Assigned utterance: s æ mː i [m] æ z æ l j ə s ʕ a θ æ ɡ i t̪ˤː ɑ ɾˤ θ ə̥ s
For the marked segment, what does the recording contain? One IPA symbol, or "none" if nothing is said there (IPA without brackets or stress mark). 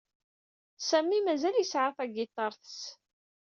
m